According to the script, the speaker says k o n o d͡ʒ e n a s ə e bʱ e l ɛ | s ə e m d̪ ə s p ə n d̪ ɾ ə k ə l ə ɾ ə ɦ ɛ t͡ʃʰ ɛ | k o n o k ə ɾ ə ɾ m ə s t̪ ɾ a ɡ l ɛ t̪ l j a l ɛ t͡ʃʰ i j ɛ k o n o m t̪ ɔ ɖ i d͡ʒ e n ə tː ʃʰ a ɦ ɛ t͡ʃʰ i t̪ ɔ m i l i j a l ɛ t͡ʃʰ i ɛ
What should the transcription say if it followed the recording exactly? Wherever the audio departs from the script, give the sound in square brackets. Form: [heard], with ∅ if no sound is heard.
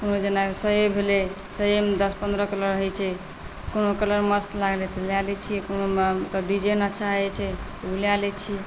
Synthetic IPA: k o n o d͡ʒ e n a s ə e bʱ e l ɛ | s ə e m d̪ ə s p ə n d̪ ɾ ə k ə l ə ɾ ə ɦ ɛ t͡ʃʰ ɛ | k o n o k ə [l] ə ɾ m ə s t̪ [l] a ɡ l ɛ t̪ l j a l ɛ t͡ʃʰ i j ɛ k o n o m t̪ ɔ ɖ i d͡ʒ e n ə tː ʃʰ a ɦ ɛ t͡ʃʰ [ɛ] t̪ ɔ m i l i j a l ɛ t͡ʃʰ i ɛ